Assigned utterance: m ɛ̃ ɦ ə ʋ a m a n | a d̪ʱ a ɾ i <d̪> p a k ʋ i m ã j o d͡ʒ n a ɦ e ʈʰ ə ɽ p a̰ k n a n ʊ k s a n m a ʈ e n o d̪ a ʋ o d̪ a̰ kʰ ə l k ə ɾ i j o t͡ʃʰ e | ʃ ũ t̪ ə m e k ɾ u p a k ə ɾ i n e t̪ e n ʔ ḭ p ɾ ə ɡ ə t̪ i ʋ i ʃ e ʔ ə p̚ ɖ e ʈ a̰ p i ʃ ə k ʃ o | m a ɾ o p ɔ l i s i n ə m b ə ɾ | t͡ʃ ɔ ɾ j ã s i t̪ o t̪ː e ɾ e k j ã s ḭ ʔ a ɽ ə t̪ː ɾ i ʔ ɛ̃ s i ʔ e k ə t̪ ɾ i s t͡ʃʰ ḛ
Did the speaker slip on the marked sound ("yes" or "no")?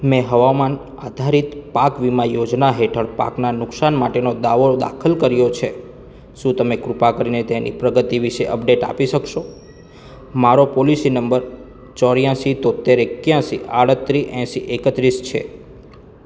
yes